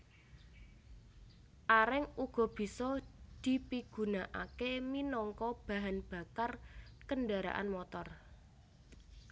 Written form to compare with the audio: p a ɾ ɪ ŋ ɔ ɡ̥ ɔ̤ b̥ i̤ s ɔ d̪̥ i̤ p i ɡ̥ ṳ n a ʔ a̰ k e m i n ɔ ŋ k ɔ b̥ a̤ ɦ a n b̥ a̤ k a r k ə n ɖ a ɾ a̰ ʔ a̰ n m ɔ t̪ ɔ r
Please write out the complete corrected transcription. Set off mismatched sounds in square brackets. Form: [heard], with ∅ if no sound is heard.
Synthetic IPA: [ʔ] a ɾ ɪ ŋ [u] ɡ̥ ɔ̤ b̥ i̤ s ɔ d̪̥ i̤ p i ɡ̥ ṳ n a ʔ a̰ k e m i n ɔ ŋ k ɔ b̥ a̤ ɦ a n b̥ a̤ k a r k ə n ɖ a ɾ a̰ ʔ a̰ n m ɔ t̪ ɔ r